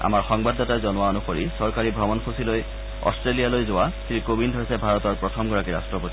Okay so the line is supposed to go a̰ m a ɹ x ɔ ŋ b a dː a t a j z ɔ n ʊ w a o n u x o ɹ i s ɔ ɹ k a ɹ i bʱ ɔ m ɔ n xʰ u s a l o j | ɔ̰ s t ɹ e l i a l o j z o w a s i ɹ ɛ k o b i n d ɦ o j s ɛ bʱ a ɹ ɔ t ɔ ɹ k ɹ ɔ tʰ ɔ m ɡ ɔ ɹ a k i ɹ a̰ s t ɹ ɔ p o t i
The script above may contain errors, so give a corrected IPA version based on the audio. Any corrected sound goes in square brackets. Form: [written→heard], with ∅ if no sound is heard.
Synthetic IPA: a̰ m a ɹ x ɔ ŋ b a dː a t a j z ɔ n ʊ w a o n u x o ɹ i s ɔ ɹ k a ɹ i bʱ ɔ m ɔ n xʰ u s [a→i] l o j | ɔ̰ s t ɹ e l i a l o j z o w a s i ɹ [ɛ→i] k o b i n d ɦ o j s ɛ bʱ a ɹ ɔ t ɔ ɹ [k→p] ɹ ɔ tʰ ɔ m ɡ ɔ ɹ a k i ɹ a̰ s t ɹ ɔ p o t i